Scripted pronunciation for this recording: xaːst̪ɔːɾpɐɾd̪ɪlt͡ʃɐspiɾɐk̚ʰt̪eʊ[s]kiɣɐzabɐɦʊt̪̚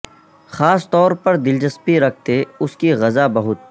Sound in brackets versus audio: correct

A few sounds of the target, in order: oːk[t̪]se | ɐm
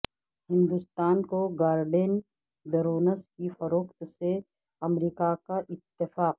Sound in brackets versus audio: correct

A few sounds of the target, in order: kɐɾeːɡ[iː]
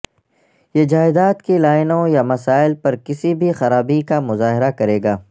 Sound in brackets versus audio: incorrect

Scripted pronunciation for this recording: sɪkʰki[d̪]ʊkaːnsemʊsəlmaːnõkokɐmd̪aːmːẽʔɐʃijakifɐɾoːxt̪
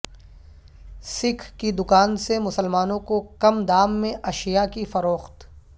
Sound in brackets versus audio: correct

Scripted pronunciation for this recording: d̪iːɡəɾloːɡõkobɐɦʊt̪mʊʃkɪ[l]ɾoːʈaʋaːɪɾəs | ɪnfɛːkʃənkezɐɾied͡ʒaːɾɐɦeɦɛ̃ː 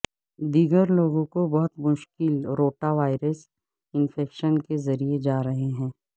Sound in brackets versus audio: correct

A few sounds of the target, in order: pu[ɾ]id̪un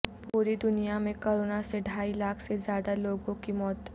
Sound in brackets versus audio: correct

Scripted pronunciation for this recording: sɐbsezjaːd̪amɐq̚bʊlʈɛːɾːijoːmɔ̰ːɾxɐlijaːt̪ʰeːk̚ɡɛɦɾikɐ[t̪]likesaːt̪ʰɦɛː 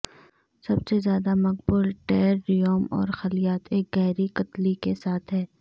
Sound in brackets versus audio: correct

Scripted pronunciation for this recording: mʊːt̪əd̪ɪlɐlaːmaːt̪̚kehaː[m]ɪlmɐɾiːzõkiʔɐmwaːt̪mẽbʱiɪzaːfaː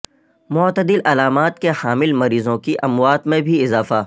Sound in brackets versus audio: correct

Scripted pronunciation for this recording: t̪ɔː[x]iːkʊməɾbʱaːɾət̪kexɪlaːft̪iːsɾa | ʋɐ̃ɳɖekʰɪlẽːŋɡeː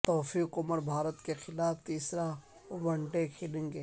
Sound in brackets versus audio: incorrect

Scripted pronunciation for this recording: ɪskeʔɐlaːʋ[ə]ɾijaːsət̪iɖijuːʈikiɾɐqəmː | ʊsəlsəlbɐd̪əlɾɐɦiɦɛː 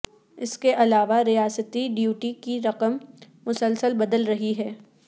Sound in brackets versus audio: incorrect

